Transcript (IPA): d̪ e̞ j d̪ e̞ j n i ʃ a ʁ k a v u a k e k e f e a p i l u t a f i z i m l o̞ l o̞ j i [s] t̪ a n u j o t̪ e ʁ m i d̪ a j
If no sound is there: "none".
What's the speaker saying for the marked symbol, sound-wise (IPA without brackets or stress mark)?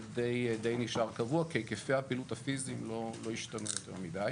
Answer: ʃ